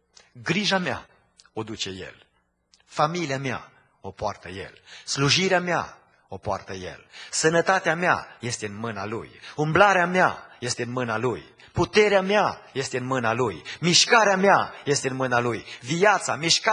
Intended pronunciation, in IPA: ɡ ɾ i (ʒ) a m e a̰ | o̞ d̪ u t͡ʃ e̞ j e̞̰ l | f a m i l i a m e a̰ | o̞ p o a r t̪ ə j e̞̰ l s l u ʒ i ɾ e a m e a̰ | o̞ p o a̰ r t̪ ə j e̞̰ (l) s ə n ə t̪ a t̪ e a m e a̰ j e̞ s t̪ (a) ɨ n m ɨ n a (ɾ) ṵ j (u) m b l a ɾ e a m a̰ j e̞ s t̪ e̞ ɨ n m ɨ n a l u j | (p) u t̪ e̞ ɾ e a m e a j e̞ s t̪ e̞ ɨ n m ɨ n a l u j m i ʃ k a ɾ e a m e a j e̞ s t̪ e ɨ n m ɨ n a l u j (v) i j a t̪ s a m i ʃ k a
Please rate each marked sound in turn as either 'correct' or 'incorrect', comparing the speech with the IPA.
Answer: correct, correct, incorrect, incorrect, correct, correct, correct

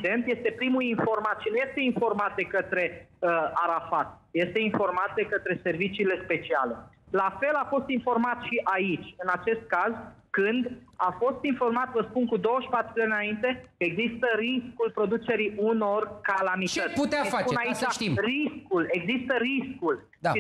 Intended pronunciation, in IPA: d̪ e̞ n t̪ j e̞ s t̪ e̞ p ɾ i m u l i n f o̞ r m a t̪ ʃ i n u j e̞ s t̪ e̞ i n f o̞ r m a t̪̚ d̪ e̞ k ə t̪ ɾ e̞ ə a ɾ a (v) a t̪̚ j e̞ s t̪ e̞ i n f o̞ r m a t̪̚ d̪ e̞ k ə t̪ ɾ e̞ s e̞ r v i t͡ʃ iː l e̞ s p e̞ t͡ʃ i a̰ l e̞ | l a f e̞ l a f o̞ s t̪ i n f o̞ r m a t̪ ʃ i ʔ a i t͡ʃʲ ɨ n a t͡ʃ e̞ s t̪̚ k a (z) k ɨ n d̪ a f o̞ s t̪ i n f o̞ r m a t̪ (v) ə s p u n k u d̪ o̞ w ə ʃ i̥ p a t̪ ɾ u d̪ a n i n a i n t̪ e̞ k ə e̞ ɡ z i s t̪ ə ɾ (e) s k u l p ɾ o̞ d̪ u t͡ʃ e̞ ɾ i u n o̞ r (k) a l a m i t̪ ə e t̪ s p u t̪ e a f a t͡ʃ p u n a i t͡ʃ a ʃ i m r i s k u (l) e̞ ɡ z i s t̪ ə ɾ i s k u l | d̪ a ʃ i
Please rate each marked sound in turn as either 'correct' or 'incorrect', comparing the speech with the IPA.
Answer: incorrect, correct, correct, incorrect, correct, correct

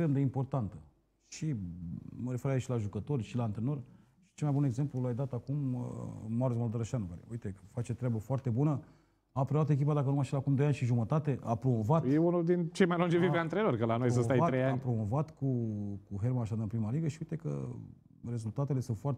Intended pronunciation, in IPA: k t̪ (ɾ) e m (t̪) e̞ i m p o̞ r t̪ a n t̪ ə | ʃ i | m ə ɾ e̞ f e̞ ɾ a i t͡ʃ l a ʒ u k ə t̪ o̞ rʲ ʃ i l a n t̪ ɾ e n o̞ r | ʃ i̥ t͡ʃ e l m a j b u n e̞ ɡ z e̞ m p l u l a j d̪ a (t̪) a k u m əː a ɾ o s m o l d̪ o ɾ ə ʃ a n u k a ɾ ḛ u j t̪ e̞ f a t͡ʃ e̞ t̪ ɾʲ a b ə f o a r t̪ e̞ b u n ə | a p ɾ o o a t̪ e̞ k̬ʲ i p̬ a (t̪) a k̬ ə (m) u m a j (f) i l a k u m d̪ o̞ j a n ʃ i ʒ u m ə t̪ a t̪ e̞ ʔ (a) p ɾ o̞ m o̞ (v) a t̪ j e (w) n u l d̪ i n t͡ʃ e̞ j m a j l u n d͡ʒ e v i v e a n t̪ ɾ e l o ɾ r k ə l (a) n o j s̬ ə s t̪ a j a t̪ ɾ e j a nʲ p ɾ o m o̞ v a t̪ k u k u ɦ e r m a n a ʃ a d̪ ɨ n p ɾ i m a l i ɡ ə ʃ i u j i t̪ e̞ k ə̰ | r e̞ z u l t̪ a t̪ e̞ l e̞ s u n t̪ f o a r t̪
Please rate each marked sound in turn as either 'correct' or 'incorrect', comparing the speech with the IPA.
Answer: correct, incorrect, correct, incorrect, incorrect, incorrect, correct, correct, incorrect, correct

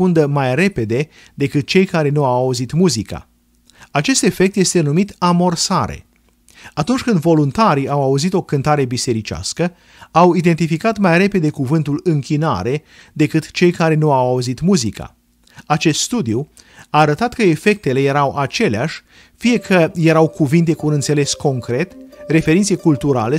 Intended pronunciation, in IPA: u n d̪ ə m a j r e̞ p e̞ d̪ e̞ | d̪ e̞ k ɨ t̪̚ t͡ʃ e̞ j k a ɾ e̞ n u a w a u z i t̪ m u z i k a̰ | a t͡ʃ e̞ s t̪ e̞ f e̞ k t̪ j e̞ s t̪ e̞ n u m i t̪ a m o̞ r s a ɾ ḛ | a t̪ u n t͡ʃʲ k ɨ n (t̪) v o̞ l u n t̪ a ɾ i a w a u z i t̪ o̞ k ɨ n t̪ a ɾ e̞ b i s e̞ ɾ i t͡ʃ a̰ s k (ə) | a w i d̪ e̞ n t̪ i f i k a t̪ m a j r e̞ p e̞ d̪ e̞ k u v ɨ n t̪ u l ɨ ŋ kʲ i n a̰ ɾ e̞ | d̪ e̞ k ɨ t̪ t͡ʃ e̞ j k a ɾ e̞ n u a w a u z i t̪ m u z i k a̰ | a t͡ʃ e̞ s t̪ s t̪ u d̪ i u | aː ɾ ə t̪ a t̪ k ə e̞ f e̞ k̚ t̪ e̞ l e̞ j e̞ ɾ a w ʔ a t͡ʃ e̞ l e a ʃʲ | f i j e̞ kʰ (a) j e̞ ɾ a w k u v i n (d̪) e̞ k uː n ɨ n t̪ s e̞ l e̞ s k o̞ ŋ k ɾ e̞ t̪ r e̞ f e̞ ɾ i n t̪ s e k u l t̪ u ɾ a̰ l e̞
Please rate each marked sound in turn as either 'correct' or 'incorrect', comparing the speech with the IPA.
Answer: incorrect, correct, incorrect, incorrect

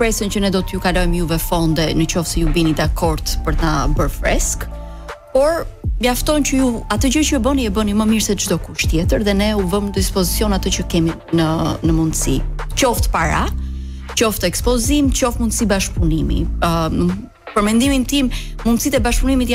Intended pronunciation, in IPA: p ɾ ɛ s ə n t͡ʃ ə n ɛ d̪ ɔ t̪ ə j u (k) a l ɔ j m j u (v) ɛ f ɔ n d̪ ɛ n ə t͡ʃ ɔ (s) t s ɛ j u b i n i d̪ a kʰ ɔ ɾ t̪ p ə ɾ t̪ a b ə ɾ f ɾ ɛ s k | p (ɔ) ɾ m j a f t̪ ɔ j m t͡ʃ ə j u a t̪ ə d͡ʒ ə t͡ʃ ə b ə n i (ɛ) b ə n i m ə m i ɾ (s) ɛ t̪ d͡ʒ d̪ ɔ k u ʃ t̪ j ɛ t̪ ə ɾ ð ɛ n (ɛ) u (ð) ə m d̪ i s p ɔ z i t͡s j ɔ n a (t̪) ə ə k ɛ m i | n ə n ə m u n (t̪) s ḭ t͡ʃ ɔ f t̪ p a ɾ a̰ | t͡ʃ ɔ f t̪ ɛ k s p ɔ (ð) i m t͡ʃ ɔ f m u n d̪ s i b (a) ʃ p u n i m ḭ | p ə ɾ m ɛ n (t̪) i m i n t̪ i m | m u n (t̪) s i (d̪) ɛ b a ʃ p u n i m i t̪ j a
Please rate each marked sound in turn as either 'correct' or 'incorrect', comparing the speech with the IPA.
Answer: correct, correct, incorrect, correct, correct, correct, correct, incorrect, correct, incorrect, incorrect, correct, incorrect, incorrect, incorrect

